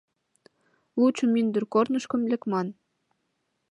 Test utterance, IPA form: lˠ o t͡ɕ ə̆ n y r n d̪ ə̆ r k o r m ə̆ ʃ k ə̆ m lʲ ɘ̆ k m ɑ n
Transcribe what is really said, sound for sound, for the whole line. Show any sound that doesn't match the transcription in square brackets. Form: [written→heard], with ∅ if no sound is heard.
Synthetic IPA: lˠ [o→u] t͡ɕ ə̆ [n→m] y [r→∅] n d̪ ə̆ r k o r [m→n] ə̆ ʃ k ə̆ m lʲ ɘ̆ k m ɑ n